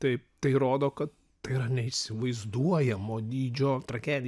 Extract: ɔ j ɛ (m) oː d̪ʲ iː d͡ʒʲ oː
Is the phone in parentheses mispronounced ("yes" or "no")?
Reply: no